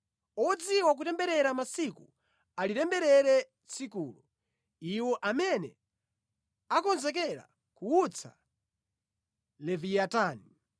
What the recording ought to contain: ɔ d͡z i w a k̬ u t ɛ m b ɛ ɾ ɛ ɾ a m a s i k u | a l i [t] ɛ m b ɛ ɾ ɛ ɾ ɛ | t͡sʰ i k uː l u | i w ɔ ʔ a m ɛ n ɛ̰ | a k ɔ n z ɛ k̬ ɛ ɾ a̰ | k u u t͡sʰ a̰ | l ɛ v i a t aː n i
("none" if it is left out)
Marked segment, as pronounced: t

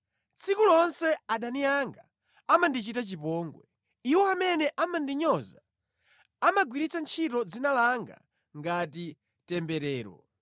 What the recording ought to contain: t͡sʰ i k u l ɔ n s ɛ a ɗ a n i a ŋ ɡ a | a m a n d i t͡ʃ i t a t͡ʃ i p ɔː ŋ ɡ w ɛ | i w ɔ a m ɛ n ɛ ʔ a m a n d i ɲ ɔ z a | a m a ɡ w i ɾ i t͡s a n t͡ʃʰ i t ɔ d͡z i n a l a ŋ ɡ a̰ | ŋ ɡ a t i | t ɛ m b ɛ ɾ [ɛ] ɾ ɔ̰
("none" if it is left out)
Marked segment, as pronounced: ɛː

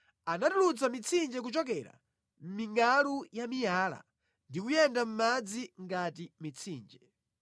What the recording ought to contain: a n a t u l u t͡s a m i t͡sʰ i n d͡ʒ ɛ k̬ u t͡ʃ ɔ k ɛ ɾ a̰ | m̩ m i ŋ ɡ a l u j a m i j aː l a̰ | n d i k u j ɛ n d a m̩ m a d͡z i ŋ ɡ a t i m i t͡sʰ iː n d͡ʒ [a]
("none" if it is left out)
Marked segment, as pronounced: ɛ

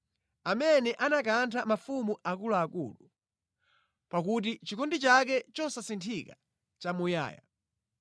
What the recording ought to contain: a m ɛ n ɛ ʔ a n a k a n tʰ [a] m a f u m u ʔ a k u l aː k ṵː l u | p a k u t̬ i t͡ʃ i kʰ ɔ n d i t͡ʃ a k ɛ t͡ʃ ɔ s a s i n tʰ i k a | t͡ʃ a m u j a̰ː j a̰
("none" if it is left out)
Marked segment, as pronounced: a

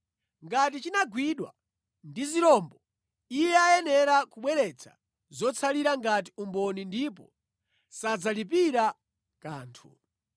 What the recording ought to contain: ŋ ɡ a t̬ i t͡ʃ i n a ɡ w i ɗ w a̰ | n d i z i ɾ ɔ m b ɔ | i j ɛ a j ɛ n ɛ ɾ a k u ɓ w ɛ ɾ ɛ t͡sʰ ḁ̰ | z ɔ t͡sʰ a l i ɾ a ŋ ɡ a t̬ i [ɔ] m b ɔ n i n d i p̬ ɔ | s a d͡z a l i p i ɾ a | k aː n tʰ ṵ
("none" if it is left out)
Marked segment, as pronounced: u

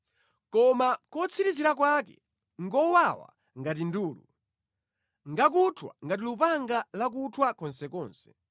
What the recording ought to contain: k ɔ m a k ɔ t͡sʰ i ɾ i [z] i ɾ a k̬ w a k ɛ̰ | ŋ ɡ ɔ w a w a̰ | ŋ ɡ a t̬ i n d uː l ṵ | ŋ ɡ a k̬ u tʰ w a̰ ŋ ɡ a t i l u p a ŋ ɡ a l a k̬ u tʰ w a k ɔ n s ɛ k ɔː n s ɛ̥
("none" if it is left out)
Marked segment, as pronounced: z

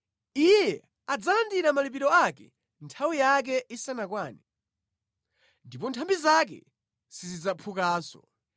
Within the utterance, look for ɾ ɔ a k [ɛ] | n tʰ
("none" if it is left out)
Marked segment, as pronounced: ɛ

